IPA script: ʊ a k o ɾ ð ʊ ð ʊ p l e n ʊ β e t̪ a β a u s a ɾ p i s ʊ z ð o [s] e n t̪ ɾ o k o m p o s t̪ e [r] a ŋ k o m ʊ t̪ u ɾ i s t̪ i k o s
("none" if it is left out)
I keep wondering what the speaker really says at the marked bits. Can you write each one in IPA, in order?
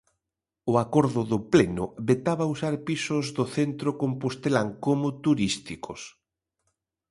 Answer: θ, l

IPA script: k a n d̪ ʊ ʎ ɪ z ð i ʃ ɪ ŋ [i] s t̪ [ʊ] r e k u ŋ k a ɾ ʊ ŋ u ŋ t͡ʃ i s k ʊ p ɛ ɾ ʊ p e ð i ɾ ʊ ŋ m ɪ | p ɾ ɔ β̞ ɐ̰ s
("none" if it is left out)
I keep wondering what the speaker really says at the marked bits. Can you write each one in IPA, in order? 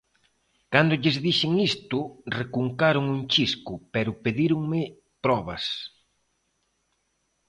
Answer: i, ʊ

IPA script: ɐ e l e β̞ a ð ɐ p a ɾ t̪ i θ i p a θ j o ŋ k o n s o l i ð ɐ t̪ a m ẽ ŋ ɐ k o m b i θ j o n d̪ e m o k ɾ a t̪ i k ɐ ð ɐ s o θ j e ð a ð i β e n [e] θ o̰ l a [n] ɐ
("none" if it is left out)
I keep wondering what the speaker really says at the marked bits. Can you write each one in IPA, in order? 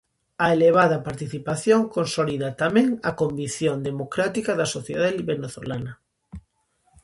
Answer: e, n

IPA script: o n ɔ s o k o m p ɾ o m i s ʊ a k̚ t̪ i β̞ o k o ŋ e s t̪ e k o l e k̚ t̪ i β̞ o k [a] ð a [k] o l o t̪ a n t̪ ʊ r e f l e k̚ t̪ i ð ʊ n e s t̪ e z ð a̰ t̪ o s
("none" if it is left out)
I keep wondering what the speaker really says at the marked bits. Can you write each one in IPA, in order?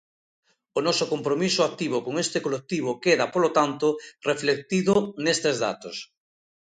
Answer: e, p

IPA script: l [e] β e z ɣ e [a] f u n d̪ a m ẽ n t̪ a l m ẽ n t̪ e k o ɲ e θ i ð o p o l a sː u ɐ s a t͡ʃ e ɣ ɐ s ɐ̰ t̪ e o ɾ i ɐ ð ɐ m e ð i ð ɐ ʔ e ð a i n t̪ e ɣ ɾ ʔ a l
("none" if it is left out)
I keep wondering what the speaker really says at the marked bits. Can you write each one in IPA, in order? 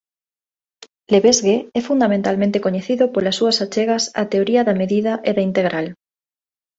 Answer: e, ɛ

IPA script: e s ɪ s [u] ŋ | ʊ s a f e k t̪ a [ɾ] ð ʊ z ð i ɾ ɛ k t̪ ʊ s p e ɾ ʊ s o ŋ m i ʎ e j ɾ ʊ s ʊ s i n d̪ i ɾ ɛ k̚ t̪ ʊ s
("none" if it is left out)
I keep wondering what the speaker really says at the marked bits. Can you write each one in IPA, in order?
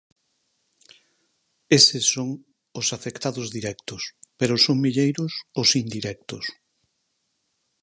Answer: o, none

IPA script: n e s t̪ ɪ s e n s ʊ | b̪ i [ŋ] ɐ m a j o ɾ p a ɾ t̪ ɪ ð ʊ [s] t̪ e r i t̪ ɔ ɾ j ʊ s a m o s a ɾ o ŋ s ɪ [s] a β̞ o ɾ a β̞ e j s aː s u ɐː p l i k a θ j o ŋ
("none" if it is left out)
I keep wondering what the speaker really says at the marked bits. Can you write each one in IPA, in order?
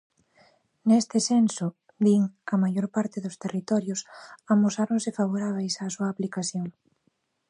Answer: ŋ, s, f

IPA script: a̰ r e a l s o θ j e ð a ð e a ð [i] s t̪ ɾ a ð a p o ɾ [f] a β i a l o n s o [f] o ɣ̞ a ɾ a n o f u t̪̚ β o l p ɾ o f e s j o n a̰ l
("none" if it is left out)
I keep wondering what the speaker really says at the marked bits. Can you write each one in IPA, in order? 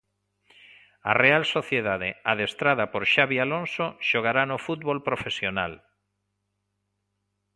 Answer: e, ʃ, ʃ

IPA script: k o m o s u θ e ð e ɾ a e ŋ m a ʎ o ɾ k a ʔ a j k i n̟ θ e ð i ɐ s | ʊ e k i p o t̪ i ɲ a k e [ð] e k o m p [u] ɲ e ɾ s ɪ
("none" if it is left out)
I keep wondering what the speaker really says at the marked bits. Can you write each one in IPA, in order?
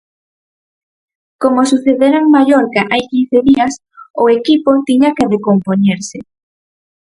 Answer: ð, o

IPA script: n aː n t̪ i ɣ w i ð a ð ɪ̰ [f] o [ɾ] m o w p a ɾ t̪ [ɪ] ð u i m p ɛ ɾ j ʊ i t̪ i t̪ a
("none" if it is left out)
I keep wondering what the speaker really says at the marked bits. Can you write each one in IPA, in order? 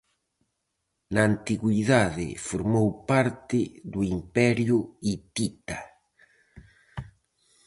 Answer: f, ɾ, ɪ

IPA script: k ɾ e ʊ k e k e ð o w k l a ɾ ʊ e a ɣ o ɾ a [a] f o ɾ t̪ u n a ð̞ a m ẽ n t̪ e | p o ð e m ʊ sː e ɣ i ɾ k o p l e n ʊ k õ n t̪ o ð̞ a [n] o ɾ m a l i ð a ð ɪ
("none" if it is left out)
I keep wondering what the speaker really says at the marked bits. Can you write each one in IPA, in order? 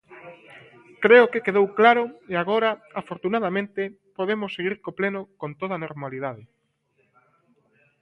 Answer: a, n

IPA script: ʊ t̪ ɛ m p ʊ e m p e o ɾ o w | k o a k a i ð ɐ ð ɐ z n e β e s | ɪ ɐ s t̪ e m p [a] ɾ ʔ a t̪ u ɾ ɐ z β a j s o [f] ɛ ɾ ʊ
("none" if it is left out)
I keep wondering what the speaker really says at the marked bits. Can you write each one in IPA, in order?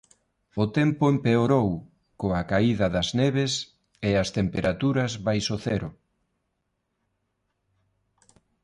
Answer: e, θ

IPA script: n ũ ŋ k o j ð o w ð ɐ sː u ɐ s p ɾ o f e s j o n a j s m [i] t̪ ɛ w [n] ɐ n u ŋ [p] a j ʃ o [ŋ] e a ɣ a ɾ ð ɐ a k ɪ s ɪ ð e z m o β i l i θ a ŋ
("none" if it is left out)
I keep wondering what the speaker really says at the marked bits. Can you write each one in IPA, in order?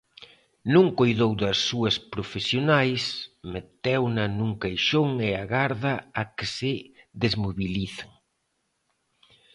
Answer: e, n, k, ŋ

